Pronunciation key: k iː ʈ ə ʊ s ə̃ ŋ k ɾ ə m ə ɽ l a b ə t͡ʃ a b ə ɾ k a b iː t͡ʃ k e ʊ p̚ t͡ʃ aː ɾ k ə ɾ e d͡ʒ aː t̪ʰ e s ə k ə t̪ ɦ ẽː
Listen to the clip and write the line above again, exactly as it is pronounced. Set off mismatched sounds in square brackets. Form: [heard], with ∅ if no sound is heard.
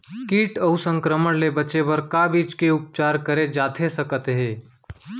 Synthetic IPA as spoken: k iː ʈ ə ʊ s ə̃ ŋ k ɾ ə m ə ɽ l [e] b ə t͡ʃ [e] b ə ɾ k a b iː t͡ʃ k e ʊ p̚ t͡ʃ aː ɾ k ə ɾ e d͡ʒ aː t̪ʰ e s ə k ə t̪ ɦ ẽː